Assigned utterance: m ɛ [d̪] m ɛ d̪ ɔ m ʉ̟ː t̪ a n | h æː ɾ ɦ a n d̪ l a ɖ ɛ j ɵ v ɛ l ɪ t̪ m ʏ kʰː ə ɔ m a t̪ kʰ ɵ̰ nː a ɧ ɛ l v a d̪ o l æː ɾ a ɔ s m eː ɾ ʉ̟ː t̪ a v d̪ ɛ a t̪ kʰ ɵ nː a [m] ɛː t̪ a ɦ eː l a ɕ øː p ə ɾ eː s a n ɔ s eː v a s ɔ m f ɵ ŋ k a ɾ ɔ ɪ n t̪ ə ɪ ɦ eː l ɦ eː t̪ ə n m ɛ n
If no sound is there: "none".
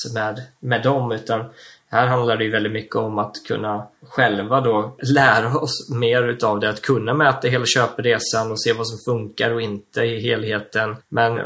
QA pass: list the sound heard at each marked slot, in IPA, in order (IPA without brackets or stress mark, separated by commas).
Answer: d̪, m